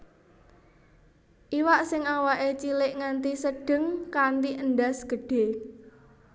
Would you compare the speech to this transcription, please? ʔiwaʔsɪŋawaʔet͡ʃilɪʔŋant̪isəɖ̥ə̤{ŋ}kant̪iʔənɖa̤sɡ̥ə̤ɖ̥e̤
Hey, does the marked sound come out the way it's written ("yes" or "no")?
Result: yes